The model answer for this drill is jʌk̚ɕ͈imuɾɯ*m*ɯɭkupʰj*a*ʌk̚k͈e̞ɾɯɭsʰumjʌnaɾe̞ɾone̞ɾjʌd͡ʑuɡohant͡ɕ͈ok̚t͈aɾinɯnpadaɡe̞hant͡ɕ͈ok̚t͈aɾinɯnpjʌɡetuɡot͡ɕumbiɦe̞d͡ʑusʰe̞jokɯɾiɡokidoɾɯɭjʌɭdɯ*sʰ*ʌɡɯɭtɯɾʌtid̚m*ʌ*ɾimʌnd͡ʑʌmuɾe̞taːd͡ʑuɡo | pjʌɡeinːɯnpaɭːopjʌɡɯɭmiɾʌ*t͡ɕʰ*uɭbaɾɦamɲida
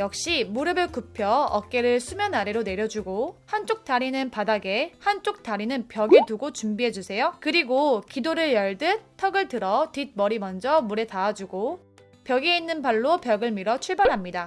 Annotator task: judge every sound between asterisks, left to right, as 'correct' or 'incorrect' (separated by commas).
incorrect, incorrect, incorrect, correct, correct